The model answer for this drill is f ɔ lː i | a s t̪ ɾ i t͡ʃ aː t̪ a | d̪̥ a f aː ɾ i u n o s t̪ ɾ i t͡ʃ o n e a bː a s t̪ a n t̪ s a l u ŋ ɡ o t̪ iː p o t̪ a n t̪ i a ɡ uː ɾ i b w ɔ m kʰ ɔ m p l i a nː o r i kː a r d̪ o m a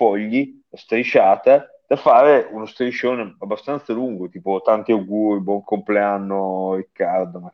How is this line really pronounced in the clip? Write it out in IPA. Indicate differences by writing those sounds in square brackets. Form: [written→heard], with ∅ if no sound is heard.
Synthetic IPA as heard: f ɔ [lː→ʎː] i | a s t̪ ɾ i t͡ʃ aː t̪ a | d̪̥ a f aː ɾ [i→e] u n o s t̪ ɾ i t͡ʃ o n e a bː a s t̪ a n t̪ s a l u ŋ ɡ o t̪ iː p o t̪ a n t̪ i a ɡ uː ɾ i b w ɔ [m→ŋ] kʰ [ɔ→o] m p l [i→e] a nː o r i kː a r d̪ o m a